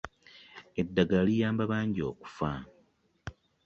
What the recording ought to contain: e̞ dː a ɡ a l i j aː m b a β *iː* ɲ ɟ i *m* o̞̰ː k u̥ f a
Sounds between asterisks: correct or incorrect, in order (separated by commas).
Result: incorrect, incorrect